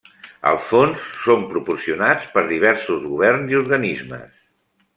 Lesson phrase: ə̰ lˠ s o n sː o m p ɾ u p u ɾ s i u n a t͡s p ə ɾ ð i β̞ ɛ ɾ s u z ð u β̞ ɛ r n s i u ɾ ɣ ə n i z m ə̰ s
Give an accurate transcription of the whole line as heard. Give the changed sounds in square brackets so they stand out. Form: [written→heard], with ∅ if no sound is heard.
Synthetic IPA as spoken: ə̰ lˠ [s→f] o n sː o m p ɾ u p u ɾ s i u n a t͡s p ə ɾ ð i β̞ ɛ ɾ s u z [ð→ɣ] u β̞ ɛ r n [s→z] i u ɾ ɣ ə n i z m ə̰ s